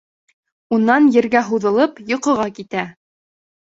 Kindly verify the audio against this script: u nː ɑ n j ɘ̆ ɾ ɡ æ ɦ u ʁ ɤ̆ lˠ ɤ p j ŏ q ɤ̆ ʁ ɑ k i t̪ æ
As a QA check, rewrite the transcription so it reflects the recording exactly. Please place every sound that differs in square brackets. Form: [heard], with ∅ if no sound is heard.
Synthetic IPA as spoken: u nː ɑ n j ɘ̆ ɾ ɡ æ ɦ u [ð] ɤ̆ lˠ ɤ p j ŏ q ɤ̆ ʁ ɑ k i t̪ æ